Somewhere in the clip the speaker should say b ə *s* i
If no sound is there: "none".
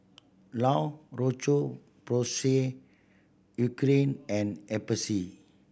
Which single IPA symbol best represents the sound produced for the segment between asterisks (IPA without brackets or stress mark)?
s